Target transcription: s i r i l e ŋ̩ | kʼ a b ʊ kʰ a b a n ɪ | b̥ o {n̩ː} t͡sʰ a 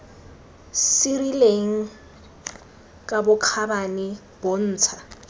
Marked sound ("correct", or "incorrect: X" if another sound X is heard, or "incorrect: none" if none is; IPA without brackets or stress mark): correct